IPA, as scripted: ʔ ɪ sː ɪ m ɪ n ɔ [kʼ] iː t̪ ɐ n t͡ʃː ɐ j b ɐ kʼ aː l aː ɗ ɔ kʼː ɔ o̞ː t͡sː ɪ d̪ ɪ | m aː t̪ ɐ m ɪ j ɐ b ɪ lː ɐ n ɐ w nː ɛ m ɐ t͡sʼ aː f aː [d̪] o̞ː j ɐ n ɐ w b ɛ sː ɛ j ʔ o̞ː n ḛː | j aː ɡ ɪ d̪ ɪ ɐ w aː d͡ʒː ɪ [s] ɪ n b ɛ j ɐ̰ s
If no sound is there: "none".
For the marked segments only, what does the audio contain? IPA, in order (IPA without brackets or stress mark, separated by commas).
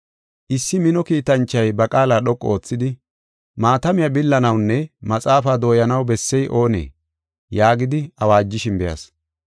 k, d̪, ʃ